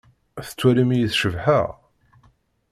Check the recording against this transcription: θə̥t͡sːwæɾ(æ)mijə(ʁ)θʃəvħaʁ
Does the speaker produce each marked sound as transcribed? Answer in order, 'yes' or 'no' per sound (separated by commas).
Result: no, no